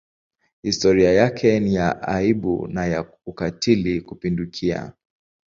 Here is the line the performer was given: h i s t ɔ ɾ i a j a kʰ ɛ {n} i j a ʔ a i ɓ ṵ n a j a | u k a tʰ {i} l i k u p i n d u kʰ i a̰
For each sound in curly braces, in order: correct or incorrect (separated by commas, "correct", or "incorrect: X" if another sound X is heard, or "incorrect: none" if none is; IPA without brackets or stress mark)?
correct, correct